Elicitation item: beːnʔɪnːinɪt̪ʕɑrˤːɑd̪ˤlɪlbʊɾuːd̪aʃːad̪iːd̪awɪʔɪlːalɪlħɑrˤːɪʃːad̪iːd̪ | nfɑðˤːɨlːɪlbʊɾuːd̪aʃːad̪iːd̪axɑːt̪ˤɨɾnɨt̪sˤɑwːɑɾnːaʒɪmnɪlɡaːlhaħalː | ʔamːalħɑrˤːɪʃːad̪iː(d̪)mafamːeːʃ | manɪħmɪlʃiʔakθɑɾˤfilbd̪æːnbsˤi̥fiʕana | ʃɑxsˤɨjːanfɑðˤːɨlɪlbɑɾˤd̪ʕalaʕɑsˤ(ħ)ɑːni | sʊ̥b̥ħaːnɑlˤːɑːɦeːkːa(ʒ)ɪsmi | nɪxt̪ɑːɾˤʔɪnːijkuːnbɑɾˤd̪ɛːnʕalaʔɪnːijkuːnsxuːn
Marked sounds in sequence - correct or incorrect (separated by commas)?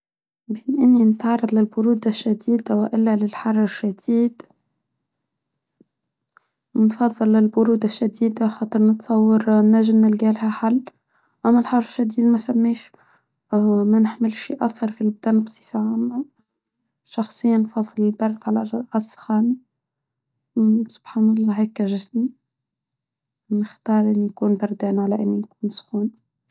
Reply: correct, incorrect, correct